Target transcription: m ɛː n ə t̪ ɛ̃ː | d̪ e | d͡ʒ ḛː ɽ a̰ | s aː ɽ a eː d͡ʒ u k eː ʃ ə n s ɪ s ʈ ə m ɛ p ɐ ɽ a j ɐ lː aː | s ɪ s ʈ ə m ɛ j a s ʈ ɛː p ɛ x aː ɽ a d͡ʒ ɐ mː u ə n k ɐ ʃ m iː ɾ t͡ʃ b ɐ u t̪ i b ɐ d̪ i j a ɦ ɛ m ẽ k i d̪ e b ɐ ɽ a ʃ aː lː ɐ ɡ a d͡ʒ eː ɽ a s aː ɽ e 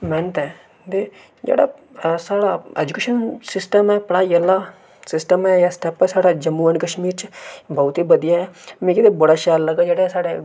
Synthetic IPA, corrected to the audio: m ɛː n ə t̪ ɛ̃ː | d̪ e | d͡ʒ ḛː ɽ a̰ | s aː ɽ a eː d͡ʒ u k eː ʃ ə n s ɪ s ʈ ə m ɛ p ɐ ɽ a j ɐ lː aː | s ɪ s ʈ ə m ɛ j a s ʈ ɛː p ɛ s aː ɽ a d͡ʒ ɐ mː u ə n k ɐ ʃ m iː ɾ t͡ʃ b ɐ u t̪ i b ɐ d̪ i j a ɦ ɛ m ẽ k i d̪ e b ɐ ɽ a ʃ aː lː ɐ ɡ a d͡ʒ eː ɽ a s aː ɽ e

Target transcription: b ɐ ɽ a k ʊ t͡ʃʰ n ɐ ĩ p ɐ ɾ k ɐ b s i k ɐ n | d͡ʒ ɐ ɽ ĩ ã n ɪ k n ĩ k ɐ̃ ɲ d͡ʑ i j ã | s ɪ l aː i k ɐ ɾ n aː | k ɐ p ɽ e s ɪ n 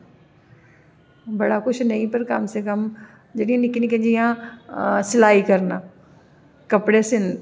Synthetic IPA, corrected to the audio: b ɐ ɽ a k ʊ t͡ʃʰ n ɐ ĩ p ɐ ɾ k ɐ m s e k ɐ m | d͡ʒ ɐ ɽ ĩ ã n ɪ k n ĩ k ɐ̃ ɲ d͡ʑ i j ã | s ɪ l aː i k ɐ ɾ n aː | k ɐ p ɽ e s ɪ n

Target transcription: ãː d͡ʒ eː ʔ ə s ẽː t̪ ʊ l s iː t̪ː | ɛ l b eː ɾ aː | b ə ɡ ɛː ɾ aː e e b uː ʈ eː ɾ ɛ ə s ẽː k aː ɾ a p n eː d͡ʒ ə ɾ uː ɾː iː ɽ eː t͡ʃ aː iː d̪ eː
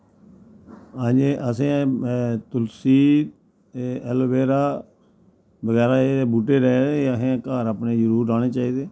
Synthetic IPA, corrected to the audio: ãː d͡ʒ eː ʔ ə s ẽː t̪ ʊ l s iː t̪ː | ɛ l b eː ɾ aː | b ə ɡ ɛː ɾ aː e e b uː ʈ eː ɾ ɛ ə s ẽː k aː ɾ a p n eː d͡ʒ ə ɾ uː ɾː aː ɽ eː t͡ʃ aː iː d̪ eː

